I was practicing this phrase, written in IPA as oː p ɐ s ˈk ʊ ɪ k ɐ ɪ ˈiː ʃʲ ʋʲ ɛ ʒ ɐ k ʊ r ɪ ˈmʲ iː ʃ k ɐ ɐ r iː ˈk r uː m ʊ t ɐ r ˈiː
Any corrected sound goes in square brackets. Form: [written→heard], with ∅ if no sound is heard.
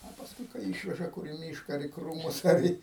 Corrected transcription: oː p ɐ s ˈk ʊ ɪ k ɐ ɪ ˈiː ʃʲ ʋʲ ɛ ʒ ɐ k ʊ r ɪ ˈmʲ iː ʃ k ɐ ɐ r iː ˈk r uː m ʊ [t→s] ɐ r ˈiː